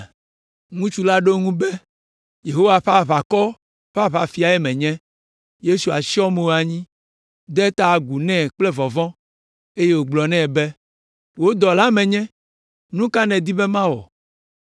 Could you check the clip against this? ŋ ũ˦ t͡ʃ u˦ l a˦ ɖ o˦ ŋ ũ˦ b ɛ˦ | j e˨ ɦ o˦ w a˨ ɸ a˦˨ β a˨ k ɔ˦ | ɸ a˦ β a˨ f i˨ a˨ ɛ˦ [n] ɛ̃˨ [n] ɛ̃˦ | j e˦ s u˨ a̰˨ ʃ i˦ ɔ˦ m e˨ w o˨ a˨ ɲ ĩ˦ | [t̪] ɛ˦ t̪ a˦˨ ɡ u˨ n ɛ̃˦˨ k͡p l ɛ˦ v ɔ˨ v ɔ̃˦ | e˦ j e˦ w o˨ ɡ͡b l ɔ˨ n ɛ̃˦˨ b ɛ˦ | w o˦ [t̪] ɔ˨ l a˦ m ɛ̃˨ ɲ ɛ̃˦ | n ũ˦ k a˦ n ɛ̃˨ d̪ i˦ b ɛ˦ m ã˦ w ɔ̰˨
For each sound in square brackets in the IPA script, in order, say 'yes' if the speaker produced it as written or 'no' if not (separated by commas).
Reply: no, no, no, no